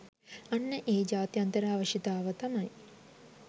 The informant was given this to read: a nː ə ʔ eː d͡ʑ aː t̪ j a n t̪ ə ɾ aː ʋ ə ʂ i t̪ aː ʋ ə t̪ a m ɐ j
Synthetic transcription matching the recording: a nː ə ʔ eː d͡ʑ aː t̪ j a n t̪ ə ɾ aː ʋ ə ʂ i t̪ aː ʋ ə t̪ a m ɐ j